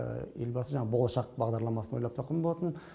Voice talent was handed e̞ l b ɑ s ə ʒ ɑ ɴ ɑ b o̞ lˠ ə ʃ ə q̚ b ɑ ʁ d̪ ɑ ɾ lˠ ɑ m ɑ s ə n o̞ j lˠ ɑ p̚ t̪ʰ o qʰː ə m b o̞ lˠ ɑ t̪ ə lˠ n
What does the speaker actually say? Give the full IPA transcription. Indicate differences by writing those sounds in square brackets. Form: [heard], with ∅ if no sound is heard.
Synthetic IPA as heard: e̞ l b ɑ s ə ʒ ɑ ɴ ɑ b o̞ lˠ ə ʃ [ɑ] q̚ b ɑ ʁ d̪ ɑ ɾ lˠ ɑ m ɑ s ə n o̞ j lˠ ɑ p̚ t̪ʰ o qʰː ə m b o̞ lˠ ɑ t̪ ə [∅] n